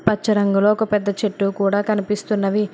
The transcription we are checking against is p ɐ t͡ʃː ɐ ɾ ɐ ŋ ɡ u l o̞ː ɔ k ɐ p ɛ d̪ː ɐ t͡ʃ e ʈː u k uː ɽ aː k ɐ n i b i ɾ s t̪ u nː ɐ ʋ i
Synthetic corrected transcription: p ɐ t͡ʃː ɐ ɾ ɐ ŋ ɡ u l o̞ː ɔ k ɐ p ɛ d̪ː ɐ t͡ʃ e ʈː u k uː ɽ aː k ɐ n i p i s t̪ u nː ɐ ʋ i